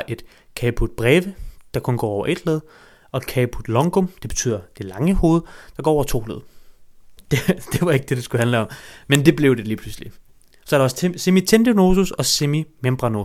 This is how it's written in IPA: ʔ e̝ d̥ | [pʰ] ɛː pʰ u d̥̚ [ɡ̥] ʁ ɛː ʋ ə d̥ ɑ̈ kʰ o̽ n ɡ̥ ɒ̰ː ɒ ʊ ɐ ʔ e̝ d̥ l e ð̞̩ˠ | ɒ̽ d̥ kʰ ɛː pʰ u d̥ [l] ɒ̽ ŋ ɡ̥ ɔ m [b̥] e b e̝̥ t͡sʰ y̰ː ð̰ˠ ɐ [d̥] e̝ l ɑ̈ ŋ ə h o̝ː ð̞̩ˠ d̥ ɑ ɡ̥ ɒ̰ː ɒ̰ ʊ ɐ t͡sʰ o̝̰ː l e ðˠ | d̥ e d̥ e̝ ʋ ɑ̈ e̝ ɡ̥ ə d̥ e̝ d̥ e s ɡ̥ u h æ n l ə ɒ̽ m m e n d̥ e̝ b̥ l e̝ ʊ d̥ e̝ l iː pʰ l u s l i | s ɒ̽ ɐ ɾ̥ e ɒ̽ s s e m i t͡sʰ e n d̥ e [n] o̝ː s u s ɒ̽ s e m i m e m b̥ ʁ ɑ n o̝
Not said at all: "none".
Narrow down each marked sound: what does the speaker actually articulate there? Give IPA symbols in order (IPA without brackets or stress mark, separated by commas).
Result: kʰ, b̥, l, d̥, d̥, n